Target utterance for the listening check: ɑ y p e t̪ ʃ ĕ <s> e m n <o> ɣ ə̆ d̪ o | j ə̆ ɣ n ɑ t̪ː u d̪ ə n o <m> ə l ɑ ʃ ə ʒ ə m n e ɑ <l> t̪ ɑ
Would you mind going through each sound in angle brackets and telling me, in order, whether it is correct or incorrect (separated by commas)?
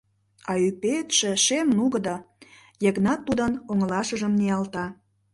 incorrect, incorrect, incorrect, correct